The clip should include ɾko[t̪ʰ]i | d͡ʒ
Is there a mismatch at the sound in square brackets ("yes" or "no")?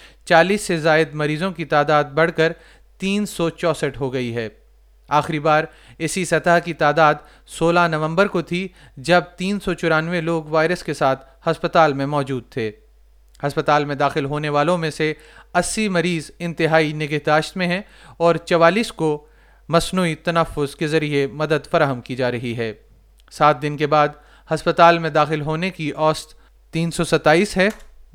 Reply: no